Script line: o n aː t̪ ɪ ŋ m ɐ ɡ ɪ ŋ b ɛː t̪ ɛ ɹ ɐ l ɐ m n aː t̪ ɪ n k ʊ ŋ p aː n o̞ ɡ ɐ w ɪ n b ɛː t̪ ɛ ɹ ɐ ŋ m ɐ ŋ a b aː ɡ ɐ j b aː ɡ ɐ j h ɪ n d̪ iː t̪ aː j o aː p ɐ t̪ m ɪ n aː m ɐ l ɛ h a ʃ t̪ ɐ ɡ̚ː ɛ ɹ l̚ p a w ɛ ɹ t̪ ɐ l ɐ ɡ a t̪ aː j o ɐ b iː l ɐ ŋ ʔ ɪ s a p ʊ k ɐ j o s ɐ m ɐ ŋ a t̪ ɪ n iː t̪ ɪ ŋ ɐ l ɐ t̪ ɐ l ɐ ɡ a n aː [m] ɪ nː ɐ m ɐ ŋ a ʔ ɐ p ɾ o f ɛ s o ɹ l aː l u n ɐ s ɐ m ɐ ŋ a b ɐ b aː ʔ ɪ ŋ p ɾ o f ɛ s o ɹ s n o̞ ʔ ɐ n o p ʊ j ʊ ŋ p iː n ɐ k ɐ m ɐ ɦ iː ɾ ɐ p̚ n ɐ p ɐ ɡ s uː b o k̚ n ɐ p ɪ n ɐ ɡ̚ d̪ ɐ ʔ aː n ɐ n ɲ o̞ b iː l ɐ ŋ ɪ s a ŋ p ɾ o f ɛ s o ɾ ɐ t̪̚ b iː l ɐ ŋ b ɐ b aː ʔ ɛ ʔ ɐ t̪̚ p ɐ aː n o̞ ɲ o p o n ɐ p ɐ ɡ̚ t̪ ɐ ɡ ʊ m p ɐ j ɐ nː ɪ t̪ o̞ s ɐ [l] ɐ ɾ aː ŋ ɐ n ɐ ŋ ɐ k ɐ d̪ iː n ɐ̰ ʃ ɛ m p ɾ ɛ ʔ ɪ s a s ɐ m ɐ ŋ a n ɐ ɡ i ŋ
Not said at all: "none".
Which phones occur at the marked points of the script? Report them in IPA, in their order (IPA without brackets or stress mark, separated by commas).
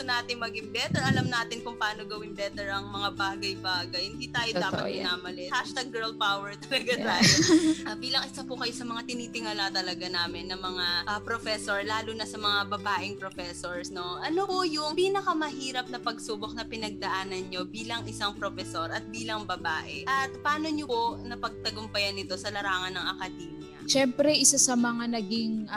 m, l